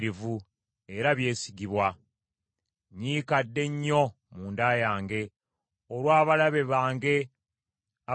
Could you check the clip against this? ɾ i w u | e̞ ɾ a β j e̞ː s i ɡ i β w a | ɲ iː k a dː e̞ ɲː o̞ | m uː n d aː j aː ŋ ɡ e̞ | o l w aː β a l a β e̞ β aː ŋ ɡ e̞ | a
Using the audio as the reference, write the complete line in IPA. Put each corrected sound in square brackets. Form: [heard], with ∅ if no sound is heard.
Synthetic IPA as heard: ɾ i [v] u | e̞ ɾ a β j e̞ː s i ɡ i β w a | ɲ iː k a dː e̞ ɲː o̞ | m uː n d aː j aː ŋ ɡ e̞ | o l w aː β a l a β e̞ β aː ŋ ɡ e̞ | a

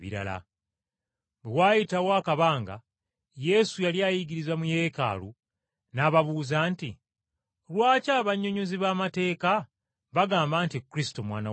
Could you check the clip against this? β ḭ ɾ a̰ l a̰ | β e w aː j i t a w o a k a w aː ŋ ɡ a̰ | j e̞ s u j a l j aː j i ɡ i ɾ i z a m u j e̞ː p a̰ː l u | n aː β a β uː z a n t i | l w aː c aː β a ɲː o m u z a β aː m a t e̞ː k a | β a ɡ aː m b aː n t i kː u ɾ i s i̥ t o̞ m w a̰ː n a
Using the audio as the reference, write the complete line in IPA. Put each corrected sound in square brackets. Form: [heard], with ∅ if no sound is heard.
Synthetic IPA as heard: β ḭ ɾ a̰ l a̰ | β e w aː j i t a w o a k a [β] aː ŋ ɡ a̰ | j e̞ s u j a l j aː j i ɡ i ɾ i z a m u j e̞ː [k] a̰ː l u | n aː β a β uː z a n t i | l w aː c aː β a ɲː o [ɲ] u z [i] β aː m a t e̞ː k a | β a ɡ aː m b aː n t i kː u ɾ i s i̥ t o̞ m w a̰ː n a

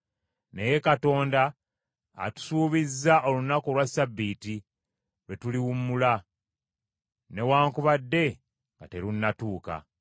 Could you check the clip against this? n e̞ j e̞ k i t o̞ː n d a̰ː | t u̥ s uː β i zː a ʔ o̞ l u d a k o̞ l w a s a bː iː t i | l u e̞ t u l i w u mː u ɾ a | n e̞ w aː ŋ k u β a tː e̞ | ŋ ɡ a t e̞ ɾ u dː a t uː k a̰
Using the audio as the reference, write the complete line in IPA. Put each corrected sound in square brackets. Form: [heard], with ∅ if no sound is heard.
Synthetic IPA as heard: n e̞ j e̞ k [a] t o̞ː n d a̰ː | t u̥ s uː β i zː a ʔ o̞ l u [n] a k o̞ l w a s a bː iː t i | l [w] e̞ t u l i w u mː u [l] a | n e̞ w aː ŋ k u β a [dː] e̞ | ŋ ɡ a t e̞ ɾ u [nː] a t uː k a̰

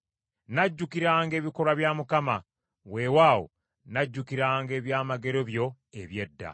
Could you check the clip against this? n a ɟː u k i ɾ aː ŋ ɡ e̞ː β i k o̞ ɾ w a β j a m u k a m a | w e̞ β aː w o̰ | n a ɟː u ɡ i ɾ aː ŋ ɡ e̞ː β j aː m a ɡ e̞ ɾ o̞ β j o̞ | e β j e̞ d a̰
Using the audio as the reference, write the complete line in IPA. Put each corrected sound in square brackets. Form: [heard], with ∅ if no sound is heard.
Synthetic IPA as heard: n a ɟː u k i ɾ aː ŋ ɡ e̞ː β i k o̞ ɾ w a β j a m u k a m a | w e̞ [w] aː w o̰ | n a ɟː u [k] i ɾ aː ŋ ɡ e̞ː β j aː m a ɡ e̞ ɾ o̞ β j o̞ | e β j e̞ [dː] a̰

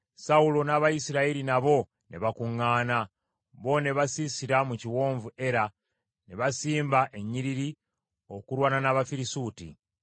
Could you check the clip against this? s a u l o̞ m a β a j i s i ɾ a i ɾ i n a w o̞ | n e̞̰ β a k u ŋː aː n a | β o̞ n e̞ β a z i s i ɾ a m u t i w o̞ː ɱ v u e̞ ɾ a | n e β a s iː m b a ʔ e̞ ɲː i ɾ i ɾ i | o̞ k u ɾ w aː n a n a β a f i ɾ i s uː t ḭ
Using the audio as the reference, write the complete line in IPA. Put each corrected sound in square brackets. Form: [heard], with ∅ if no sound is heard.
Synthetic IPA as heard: s a u l o̞ [n] a β a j i s i ɾ a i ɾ i n a [β] o̞ | n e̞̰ β a k u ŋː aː n a | β o̞ n e̞ β a [s] i s i ɾ a m u [c] i w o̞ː ɱ v u e̞ ɾ a | n e β a s iː m b a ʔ e̞ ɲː i ɾ i ɾ i | o̞ k u ɾ w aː n a n a β a f i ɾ i s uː t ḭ

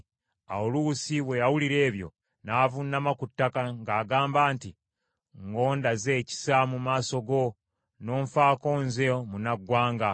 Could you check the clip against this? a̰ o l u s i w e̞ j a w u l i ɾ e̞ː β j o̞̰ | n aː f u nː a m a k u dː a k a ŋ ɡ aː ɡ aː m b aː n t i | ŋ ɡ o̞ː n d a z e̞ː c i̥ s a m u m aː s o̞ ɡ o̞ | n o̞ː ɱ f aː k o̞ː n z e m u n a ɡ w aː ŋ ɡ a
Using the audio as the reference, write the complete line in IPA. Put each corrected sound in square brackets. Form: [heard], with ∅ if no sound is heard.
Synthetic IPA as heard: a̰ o l u s i w e̞ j a w u l i ɾ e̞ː β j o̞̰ | n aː [v] u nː a m a k u [tː] a k a ŋ ɡ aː ɡ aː m b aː n t i | ŋ ɡ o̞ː n d a z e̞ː c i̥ s a m u m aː s o̞ ɡ o̞ | n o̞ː ɱ f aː k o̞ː n z e m u n a ɡ w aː ŋ ɡ a

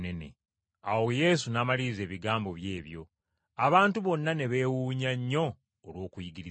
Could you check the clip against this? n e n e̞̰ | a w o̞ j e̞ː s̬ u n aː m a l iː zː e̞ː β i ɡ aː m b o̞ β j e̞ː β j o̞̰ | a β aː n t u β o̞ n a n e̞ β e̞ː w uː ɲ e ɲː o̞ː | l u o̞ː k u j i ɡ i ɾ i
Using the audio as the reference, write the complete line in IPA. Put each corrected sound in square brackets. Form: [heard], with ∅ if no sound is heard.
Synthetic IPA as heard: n e n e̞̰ | a w o̞ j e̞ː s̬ u n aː m a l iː [z] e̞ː β i ɡ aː m b o̞ β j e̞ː β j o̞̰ | a β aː n t u β o̞ [nː] a n e̞ β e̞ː w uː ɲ [a] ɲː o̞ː | l [w] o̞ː k u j i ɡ i ɾ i

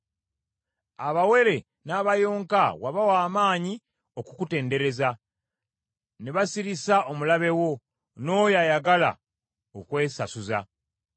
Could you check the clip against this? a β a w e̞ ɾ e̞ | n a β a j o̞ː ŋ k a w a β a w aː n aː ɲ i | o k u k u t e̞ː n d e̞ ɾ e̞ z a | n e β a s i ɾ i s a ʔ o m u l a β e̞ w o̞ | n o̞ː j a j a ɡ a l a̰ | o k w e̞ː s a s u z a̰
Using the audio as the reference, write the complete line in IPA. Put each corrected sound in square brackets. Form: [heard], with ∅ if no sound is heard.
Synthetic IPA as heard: a β a w e̞ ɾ e̞ | n a β a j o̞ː ŋ k a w a β a w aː [m] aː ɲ i | o k u k u t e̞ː n d e̞ ɾ e̞ z a | n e β a s i ɾ i s a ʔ o m u l a β e̞ w o̞ | n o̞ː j a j a ɡ a l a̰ | o k w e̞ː s a s u z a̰

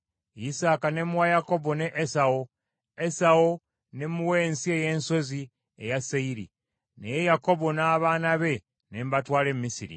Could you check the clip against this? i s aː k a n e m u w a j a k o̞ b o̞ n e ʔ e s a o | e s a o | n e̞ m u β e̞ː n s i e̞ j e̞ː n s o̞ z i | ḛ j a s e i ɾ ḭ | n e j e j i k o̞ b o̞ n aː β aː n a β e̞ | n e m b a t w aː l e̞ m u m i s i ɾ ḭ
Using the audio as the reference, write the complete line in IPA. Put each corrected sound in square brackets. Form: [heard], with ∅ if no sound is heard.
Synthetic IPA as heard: i s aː k a n e m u w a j a k o̞ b o̞ n e ʔ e s a o | e s a o | n e̞ m u [w] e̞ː n s i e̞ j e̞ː n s o̞ z i | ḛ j a s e i ɾ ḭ | n e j e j [a] k o̞ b o̞ n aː β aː n a β e̞ | n e m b a t w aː l e̞ m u m i s i ɾ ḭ

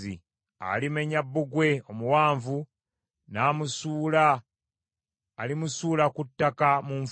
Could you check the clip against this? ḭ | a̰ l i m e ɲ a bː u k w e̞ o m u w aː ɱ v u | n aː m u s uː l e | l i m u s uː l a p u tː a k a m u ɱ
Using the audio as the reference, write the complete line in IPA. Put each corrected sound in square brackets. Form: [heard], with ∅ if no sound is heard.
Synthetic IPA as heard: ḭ | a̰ l i m e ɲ a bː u [ɡ] w e̞ o m u w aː ɱ v u | n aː m u s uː l [a] | l i m u s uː l a [k] u tː a k a m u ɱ

